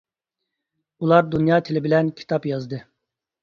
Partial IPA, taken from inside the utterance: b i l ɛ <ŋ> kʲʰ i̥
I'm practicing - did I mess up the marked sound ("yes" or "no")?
yes